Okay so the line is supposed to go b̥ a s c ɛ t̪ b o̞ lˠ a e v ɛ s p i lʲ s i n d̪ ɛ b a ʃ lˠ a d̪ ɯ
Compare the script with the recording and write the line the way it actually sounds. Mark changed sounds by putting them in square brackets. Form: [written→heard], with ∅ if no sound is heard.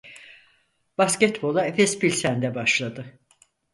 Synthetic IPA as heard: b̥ a s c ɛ t̪ b o̞ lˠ a e [v→f] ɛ s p i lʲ s [i→æ] n d̪ ɛ b a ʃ lˠ a d̪ ɯ